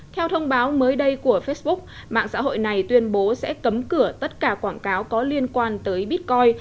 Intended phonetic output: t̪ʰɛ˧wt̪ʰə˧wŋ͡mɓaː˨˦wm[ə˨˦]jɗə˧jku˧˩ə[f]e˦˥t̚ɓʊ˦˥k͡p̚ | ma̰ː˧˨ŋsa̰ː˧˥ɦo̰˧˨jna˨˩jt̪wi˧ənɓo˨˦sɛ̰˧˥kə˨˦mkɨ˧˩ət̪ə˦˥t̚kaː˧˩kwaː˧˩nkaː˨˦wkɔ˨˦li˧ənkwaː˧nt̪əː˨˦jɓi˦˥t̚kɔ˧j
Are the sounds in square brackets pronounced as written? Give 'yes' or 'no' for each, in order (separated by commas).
no, yes